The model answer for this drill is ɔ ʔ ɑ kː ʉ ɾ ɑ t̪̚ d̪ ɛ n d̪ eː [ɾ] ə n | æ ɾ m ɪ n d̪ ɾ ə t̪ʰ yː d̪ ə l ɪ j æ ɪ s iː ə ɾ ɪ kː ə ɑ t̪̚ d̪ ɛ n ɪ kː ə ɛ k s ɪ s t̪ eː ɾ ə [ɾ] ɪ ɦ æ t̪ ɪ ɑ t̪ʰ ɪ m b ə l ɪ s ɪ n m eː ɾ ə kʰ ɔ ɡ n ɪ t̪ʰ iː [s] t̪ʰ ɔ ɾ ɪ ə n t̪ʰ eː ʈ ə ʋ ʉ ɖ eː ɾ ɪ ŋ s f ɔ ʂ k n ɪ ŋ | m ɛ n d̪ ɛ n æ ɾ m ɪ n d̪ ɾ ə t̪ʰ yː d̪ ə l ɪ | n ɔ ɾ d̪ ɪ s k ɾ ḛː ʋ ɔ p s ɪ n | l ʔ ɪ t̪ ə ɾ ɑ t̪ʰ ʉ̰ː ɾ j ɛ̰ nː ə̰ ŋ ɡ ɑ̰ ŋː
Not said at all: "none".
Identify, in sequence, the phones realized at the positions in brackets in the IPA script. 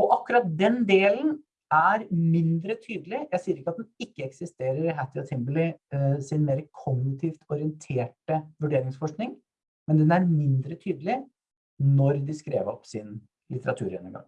l, ɾ, f

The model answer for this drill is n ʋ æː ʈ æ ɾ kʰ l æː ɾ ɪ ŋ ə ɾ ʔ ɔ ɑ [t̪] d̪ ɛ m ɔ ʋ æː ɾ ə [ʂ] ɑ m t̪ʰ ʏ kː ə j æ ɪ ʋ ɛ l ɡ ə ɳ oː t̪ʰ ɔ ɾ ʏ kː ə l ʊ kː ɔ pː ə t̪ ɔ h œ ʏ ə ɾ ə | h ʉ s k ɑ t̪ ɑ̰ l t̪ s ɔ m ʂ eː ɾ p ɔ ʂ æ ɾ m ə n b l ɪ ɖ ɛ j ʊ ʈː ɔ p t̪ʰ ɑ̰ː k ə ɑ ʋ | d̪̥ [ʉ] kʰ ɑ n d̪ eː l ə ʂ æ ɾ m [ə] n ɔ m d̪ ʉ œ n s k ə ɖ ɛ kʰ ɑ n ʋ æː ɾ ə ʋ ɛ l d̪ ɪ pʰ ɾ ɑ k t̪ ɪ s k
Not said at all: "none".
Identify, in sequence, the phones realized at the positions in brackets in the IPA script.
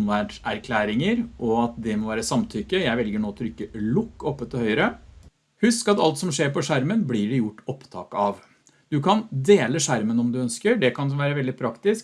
t̪, s, ʉ, ə

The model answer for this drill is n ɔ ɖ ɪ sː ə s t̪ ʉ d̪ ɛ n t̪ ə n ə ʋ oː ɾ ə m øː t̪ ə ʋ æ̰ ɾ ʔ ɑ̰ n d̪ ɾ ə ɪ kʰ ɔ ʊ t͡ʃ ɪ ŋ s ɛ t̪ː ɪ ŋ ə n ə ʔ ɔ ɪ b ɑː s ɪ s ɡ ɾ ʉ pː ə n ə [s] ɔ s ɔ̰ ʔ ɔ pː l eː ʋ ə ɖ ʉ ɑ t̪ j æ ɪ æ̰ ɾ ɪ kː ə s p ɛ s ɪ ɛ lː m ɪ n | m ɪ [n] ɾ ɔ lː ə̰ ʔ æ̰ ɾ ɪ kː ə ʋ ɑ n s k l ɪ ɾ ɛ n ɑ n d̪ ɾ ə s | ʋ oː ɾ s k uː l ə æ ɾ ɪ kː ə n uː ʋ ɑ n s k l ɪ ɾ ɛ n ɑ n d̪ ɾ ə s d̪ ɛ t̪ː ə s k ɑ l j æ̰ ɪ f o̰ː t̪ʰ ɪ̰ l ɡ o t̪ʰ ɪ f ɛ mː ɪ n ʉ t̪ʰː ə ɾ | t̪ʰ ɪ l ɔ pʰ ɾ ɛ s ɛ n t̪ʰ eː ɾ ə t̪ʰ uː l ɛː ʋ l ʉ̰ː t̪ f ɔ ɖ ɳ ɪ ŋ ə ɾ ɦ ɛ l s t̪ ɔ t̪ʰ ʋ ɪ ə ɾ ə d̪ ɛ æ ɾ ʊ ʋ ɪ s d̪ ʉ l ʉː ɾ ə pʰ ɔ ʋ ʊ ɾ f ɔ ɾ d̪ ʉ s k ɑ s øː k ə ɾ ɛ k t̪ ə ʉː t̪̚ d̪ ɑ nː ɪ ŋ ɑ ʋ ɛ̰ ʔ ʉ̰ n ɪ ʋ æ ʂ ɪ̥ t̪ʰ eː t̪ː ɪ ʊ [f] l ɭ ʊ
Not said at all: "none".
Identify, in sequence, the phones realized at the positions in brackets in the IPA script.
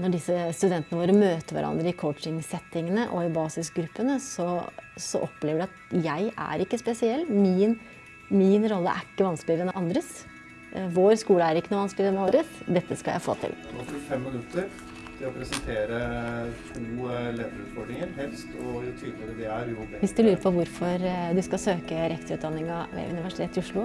s, n, ʂ

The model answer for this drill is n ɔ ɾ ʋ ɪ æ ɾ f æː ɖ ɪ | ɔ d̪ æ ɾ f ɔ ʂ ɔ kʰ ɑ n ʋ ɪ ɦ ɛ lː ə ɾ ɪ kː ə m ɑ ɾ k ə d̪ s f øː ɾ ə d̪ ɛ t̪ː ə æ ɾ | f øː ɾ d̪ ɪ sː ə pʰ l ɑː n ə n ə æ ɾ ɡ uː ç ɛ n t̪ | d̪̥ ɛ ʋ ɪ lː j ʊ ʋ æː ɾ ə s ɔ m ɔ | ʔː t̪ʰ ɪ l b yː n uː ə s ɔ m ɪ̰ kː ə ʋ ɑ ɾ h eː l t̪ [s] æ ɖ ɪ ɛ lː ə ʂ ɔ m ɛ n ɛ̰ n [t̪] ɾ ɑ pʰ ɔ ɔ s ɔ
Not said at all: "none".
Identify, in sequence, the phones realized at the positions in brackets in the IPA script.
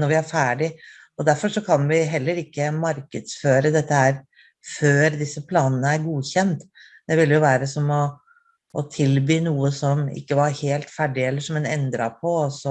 f, d̪

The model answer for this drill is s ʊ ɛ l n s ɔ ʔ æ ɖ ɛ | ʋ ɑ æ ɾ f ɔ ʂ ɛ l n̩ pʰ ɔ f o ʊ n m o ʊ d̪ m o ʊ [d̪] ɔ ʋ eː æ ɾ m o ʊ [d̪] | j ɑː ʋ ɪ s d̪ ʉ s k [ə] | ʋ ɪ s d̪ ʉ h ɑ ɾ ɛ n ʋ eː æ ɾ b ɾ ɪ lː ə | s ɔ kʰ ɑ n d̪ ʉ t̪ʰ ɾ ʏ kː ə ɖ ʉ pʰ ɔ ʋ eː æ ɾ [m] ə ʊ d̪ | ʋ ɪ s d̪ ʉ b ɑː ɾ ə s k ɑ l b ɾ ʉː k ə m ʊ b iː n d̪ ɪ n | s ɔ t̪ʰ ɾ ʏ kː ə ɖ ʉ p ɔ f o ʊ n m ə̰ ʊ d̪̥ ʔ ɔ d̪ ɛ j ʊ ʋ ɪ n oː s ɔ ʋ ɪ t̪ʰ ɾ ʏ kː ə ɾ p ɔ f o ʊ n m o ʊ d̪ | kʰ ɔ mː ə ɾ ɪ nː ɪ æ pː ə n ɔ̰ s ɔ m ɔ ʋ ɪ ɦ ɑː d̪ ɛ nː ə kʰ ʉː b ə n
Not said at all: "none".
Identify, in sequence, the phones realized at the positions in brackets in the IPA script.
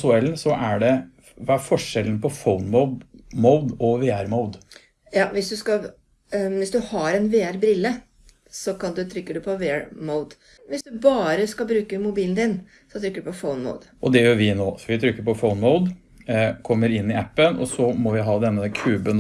d̪, d̪, ɑ, m

